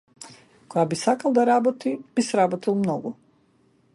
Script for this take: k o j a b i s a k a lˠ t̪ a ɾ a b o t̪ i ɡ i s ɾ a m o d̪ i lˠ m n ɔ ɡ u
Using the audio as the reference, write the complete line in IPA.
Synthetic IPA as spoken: k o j a b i s a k a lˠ d̪ a ɾ a b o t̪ i b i s ɾ a b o t̪ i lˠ m n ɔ ɡ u

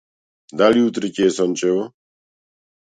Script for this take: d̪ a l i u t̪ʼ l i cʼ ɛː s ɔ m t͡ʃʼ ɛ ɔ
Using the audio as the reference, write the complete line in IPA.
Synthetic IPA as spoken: d̪ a l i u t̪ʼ ɾ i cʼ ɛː s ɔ n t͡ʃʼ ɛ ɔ

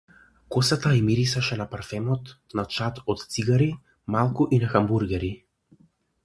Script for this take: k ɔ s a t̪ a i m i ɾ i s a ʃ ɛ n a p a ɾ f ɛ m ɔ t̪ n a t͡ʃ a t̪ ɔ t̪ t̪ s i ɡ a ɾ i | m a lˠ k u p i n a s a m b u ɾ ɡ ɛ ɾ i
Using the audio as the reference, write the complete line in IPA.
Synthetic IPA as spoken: k ɔ s a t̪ a i m i ɾ i s a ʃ ɛ n a p a ɾ f ɛ m ɔ t̪ n a t͡ʃ a t̪ ɔ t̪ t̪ s i ɡ a ɾ i | m a lˠ k u ʔ i n a x a m b u ɾ ɡ ɛ ɾ i

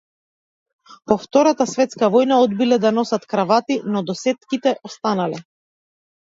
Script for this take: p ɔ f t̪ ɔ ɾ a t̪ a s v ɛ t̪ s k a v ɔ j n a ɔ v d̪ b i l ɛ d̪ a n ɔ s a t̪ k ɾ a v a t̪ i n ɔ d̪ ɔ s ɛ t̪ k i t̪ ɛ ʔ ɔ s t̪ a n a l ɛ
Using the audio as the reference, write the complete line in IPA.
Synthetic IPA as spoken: p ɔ f t̪ ɔ ɾ a t̪ a s v ɛ t̪ s k a v ɔ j n a ɔ d̪ b i l ɛ d̪ a n ɔ s a t̪ k ɾ a v a t̪ i n ɔ d̪ ɔ s ɛ t̪ k i t̪ ɛ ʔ ɔ s t̪ a n a l ɛ

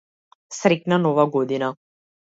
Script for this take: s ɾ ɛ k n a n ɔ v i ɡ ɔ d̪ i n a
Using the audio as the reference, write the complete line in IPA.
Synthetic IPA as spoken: s ɾ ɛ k n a n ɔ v a ɡ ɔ d̪ i n a

